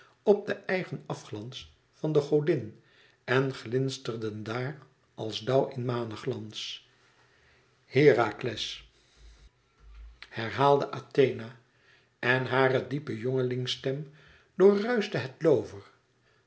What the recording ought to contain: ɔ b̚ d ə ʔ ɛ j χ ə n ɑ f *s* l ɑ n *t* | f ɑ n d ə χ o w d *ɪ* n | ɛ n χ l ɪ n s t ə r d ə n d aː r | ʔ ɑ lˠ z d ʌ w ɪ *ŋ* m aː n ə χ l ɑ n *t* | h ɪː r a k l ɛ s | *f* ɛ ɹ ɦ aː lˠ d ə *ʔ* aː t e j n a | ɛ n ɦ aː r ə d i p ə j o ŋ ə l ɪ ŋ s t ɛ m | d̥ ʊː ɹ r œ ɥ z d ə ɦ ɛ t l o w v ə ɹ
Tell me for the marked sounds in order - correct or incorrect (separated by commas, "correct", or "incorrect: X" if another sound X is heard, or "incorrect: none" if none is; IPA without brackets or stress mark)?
incorrect: χ, incorrect: s, correct, incorrect: n, incorrect: s, incorrect: h, correct